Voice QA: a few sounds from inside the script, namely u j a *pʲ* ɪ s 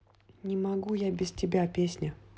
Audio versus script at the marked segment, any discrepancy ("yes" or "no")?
yes